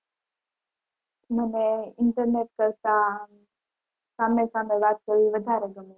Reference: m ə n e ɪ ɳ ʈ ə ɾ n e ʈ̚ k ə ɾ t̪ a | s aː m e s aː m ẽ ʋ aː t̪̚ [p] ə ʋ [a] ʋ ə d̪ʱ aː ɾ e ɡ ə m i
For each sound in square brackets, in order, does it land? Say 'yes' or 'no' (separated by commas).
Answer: no, no